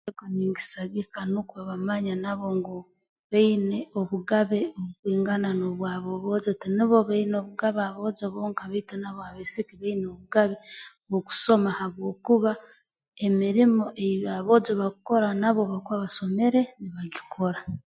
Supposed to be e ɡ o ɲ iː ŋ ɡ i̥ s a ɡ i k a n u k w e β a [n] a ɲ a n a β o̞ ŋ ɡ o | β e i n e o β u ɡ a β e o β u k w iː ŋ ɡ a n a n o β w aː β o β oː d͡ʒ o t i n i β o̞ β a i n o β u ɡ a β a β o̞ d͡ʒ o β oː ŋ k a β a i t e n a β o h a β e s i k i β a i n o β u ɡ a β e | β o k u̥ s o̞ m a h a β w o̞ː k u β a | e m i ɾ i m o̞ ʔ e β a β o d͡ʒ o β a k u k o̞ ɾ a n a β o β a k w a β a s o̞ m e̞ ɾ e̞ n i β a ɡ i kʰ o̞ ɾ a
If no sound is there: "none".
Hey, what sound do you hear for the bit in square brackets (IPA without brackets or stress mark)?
m